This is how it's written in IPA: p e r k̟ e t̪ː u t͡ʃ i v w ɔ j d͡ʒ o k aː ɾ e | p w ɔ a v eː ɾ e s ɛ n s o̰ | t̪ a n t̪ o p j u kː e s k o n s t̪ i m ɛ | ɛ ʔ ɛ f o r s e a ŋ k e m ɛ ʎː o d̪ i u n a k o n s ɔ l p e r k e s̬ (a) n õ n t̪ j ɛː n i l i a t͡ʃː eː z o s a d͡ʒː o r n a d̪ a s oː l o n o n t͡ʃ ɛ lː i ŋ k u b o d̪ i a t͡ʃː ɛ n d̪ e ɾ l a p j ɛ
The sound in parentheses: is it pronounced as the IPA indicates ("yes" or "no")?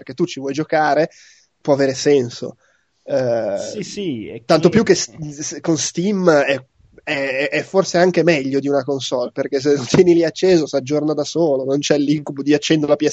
no